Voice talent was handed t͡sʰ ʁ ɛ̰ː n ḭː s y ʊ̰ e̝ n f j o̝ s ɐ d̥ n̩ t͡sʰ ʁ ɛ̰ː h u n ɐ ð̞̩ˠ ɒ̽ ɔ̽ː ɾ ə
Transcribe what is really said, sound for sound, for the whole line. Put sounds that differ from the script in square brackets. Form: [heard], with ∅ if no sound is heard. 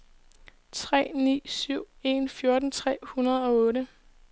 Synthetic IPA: t͡sʰ ʁ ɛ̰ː n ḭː s y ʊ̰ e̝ n f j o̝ [∅] ɐ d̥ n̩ t͡sʰ ʁ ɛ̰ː h u n ɐ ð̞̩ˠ ɒ̽ ɔ̽ː ɾ ə